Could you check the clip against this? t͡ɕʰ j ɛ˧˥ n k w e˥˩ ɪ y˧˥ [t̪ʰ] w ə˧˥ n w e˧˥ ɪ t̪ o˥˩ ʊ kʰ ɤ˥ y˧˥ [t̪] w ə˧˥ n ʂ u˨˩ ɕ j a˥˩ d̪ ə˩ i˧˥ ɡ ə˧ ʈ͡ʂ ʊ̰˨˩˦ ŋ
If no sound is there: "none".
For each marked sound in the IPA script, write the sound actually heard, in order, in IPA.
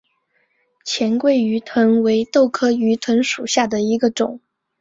t̪ʰ, t̪ʰ

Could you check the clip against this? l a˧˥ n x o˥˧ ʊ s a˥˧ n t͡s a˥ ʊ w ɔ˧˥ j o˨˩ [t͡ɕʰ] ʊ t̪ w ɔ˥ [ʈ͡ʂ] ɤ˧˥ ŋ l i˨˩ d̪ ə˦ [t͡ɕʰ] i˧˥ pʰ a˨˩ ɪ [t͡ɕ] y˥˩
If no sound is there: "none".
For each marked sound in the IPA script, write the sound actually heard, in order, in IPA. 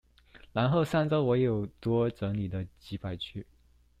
none, ʈ͡ʂ, t͡ɕ, t͡ɕʰ

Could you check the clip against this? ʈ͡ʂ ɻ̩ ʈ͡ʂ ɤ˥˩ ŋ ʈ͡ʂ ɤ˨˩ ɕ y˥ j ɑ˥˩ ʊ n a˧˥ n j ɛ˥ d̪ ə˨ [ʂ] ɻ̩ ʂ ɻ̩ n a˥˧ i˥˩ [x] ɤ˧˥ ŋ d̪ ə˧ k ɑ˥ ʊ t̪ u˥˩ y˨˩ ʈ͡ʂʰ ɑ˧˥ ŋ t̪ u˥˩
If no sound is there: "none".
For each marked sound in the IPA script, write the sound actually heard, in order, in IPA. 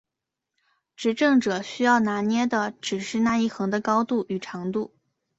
ʈ͡ʂ, x

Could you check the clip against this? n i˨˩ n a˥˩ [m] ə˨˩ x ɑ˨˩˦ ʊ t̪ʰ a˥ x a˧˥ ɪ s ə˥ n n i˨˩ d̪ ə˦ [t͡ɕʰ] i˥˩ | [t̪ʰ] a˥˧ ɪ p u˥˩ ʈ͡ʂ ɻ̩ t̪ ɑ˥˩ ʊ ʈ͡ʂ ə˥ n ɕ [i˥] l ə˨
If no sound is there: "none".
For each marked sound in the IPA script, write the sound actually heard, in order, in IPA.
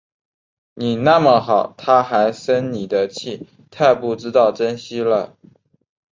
m, t͡ɕʰ, t̪ʰ, i˥

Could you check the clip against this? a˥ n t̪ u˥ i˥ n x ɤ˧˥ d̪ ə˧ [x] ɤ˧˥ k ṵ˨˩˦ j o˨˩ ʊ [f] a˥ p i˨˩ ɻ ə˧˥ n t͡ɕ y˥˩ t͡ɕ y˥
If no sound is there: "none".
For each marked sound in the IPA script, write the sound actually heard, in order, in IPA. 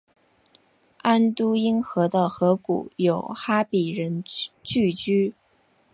x, x

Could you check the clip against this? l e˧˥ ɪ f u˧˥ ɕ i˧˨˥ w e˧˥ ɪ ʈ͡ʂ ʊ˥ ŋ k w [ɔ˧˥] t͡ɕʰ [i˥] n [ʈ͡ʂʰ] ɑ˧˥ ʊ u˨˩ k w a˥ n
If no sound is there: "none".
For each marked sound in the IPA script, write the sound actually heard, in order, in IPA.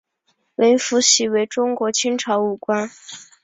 ɔ˧˥, i˥, ʈ͡ʂʰ

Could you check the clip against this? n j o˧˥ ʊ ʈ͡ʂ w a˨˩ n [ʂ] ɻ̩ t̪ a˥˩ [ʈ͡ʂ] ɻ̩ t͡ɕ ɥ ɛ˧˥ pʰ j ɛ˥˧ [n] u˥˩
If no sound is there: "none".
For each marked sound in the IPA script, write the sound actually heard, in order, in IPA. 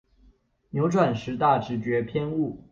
ʂ, ʈ͡ʂ, n

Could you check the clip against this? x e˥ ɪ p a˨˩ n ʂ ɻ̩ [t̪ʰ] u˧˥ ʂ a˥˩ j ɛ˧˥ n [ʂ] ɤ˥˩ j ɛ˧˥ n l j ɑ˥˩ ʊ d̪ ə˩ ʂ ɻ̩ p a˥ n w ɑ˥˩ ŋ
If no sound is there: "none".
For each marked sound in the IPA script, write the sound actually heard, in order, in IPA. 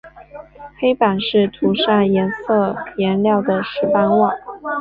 t̪ʰ, s

